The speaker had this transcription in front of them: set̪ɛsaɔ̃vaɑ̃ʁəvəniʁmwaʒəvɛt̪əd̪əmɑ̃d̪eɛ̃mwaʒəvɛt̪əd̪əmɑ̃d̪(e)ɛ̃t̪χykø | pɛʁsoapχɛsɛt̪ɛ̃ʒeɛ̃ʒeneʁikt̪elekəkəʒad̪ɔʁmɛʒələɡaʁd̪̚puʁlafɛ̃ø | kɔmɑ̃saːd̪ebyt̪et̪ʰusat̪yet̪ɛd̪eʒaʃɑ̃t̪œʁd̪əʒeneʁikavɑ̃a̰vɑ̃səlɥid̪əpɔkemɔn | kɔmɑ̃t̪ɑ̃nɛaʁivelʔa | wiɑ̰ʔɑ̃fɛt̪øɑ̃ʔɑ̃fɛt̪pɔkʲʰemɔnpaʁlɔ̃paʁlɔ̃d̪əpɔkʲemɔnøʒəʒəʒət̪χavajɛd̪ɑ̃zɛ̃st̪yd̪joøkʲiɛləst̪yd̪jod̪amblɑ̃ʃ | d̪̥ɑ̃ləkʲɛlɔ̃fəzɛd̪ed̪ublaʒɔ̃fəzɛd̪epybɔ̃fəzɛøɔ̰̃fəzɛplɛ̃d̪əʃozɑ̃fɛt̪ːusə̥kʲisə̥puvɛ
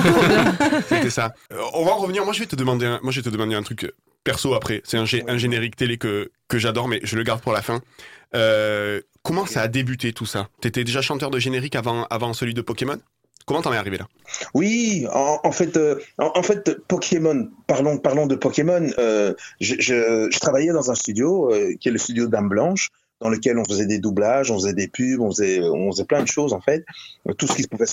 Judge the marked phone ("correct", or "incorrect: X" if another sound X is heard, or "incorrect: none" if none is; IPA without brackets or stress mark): correct